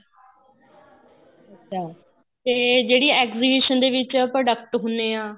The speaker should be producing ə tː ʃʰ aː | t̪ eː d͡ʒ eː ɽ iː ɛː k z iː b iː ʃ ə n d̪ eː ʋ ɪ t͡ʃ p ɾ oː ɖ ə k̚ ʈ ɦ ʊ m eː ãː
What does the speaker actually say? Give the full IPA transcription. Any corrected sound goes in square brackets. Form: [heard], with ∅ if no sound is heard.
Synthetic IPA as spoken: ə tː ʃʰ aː | t̪ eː d͡ʒ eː ɽ iː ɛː k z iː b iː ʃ ə n d̪ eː ʋ ɪ t͡ʃ p ɾ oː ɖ ə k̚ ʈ ɦ ʊ [n] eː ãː